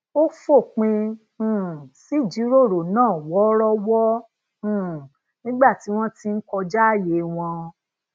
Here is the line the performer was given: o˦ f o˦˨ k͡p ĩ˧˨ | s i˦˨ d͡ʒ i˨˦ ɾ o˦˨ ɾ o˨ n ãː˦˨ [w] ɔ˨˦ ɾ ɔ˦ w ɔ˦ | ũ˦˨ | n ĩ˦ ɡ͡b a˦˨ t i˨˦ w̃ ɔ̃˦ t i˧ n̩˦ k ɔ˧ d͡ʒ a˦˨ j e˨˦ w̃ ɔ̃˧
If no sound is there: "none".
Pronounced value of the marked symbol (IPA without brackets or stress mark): w